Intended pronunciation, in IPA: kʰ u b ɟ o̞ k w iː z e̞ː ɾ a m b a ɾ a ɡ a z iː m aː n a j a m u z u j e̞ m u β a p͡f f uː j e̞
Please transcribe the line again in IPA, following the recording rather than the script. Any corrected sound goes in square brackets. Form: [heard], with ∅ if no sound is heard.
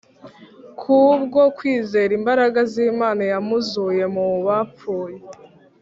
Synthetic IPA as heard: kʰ u b [ɡ] o̞ k w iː z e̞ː ɾ [i] m b a ɾ a ɡ a z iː m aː n a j a m u z u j e̞ m u β a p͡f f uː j e̞